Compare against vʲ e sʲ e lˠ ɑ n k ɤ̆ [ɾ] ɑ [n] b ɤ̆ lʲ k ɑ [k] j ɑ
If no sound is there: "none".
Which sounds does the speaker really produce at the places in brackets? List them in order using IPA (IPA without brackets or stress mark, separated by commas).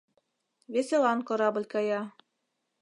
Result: ɾ, none, none